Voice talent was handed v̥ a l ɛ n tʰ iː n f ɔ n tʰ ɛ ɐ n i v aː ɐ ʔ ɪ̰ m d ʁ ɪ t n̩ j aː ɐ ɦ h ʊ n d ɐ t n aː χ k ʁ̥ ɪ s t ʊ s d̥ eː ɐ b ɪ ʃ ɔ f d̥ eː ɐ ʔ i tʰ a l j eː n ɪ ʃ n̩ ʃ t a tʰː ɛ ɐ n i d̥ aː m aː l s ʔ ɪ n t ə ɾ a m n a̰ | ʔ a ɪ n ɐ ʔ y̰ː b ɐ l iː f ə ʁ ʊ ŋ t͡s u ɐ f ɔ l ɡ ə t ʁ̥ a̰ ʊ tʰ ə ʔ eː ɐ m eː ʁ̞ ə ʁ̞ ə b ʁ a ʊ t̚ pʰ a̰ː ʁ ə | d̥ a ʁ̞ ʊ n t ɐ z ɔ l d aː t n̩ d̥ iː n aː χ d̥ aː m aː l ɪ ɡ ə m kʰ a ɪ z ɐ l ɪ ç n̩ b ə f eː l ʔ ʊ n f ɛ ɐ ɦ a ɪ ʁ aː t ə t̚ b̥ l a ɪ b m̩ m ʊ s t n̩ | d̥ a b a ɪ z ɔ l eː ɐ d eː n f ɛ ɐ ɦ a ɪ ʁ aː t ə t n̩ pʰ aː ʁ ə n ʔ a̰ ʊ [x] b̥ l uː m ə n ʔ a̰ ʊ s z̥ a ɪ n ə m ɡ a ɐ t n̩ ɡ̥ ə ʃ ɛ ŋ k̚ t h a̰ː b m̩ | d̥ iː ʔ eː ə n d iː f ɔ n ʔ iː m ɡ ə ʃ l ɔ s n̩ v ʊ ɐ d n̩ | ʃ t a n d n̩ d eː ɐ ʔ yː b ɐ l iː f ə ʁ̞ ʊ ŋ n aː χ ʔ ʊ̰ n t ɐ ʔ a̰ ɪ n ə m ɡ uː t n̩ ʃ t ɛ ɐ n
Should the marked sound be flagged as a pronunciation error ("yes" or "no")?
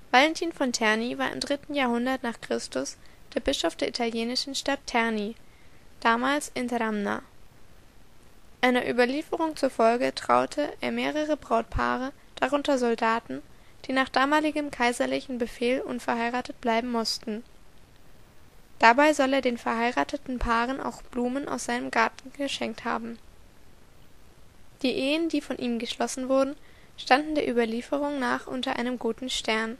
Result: no